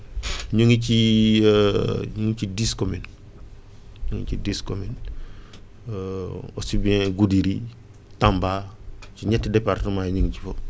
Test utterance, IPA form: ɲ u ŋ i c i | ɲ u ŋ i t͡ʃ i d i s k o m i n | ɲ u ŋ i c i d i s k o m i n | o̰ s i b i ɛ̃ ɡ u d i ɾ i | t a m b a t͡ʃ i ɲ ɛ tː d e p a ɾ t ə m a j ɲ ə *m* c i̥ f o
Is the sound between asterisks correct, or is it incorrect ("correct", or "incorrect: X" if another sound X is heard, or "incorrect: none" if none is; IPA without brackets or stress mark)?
incorrect: ŋ